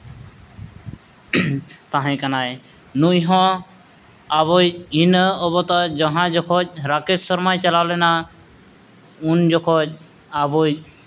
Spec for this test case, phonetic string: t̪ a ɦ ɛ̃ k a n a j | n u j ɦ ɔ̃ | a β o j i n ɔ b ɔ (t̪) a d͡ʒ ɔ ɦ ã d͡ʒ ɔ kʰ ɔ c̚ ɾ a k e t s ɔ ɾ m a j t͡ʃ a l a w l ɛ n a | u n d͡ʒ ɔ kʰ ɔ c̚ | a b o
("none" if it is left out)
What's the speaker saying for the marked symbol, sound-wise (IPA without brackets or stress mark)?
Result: t̪